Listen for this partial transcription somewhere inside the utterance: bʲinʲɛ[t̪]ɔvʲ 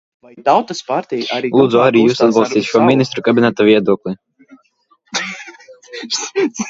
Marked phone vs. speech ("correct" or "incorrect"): correct